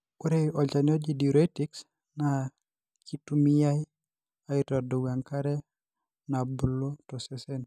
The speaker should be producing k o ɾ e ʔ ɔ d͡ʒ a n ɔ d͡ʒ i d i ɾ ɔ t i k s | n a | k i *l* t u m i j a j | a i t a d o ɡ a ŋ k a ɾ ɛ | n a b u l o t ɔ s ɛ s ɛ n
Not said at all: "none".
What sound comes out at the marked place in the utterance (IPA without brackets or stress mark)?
none